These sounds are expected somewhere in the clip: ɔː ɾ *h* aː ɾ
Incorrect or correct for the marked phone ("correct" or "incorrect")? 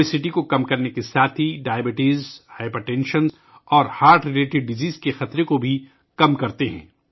correct